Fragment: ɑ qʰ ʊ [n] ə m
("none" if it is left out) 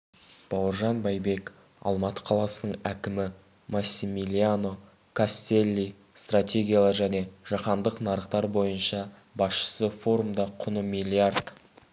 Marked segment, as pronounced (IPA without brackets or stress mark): n